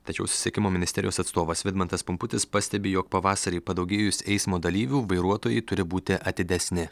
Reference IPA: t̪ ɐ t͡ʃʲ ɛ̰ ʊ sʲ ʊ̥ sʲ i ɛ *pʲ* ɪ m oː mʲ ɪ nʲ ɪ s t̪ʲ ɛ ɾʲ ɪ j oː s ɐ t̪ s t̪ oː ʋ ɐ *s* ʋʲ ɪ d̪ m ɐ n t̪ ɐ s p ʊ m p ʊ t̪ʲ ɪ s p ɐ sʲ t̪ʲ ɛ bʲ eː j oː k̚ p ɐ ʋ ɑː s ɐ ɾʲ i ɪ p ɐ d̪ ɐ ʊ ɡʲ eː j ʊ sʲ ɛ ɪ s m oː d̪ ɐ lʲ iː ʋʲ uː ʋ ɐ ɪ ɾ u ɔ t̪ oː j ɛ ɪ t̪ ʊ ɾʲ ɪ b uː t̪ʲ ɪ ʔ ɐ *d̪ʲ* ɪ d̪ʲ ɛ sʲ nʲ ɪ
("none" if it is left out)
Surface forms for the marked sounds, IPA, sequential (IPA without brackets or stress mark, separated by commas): kʲ, s, t̪ʲ